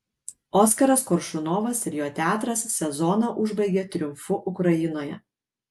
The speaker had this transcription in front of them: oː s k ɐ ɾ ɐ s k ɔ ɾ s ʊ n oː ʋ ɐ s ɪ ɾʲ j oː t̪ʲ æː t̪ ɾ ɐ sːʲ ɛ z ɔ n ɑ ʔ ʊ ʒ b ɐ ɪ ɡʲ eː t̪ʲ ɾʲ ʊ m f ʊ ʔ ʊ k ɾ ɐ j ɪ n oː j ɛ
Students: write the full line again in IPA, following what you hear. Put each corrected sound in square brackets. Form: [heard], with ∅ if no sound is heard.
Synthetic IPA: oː s k ɐ ɾ ɐ s k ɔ ɾ [ʃ] ʊ n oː ʋ ɐ s ɪ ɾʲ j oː t̪ʲ æː t̪ ɾ ɐ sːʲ ɛ z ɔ n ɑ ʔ ʊ ʒ b ɐ ɪ ɡʲ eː t̪ʲ ɾʲ ʊ m f ʊ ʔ ʊ k ɾ ɐ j ɪ n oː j ɛ